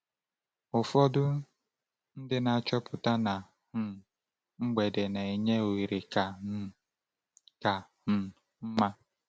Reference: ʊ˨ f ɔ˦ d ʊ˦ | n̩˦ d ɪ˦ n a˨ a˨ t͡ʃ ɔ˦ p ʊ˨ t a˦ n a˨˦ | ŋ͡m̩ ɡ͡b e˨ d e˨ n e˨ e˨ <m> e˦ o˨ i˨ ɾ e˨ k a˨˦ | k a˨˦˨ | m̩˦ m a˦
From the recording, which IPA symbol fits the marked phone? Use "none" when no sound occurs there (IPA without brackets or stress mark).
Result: ɲ